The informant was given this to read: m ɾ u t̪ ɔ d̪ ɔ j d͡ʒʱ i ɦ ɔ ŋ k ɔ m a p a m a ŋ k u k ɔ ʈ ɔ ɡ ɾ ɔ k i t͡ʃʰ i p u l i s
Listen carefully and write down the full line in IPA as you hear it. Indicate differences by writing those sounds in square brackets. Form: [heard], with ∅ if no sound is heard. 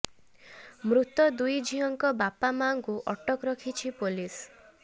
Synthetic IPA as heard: m ɾ u t̪ ɔ d̪ [u] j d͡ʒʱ i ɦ ɔ ŋ k ɔ [b] a p a m a ŋ k u [ʔ] ɔ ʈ ɔ [k] ɾ ɔ [kʰ] i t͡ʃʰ i p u l i s